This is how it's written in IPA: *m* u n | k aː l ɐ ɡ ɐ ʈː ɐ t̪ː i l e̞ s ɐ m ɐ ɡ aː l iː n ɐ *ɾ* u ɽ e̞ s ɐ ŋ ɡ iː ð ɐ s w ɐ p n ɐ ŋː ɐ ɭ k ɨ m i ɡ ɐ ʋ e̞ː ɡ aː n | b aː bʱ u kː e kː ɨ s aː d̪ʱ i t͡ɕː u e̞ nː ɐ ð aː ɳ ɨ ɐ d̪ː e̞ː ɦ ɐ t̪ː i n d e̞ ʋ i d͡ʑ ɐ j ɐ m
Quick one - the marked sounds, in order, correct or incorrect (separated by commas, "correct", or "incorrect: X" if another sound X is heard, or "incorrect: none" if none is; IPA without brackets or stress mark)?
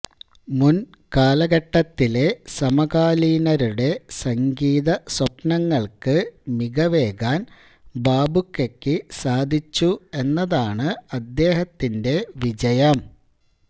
correct, correct